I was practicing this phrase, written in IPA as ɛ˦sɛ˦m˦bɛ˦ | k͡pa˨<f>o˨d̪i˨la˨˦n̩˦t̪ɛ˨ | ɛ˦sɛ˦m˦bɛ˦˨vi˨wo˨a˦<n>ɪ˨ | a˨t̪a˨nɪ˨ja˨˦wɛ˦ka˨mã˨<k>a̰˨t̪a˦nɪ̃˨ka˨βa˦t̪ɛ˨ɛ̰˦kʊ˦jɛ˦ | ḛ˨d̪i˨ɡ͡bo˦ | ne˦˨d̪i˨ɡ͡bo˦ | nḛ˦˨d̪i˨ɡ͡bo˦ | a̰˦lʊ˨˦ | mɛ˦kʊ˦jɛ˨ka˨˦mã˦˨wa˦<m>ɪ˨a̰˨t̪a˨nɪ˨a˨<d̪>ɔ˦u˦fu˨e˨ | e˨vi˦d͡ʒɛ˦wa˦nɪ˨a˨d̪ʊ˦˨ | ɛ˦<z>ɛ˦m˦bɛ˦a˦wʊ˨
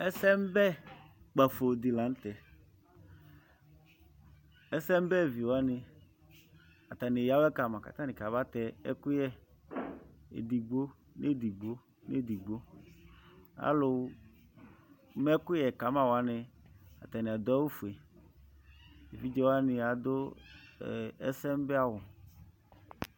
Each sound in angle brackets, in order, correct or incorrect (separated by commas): correct, correct, correct, incorrect, correct, incorrect